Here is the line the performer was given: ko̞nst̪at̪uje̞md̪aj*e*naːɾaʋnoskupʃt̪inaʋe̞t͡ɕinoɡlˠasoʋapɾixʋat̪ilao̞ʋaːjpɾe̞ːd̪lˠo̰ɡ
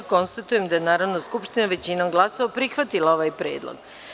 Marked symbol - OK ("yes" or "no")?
yes